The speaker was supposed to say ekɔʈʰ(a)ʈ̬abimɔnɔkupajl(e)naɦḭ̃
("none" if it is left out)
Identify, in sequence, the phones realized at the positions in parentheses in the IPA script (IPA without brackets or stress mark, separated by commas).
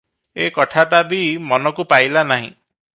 a, a